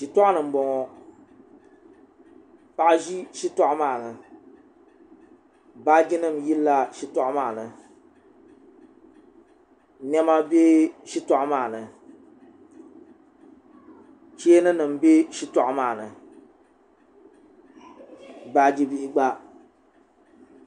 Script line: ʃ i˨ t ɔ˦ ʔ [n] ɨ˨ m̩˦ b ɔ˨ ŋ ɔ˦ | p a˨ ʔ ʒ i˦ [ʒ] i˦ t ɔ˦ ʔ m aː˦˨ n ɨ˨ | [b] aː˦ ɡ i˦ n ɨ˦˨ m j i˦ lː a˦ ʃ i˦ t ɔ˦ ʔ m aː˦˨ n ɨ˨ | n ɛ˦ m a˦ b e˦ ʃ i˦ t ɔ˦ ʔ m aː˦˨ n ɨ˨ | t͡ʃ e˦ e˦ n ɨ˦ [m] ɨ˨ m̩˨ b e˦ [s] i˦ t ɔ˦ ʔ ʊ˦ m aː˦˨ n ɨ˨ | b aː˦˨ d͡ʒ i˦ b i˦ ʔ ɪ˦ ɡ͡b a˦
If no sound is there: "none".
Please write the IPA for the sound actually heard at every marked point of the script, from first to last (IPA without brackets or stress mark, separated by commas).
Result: n, ʃ, b, n, ʃ